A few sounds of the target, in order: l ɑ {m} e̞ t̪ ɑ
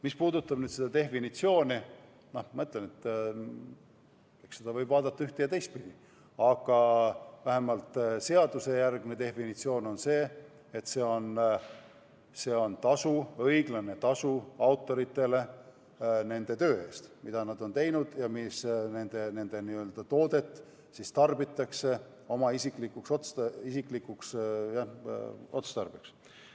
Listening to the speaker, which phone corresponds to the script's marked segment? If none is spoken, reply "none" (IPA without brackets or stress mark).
n